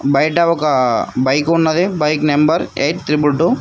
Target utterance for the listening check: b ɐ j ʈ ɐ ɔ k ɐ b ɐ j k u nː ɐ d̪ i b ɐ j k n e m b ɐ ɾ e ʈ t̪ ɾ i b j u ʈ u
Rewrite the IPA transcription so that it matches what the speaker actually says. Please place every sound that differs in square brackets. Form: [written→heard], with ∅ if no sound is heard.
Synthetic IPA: b ɐ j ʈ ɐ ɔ k ɐ b ɐ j k u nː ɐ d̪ i b ɐ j k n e m b ɐ ɾ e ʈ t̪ ɾ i b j u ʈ u